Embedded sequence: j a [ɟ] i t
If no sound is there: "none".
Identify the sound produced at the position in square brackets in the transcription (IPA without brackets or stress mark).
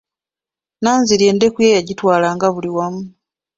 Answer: ɟ